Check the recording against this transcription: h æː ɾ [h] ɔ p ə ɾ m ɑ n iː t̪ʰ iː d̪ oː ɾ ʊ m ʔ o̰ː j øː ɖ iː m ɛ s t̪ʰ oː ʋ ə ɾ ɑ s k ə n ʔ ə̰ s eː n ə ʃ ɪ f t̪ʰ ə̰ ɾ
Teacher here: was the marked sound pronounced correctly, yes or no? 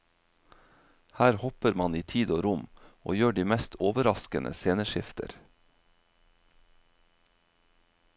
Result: yes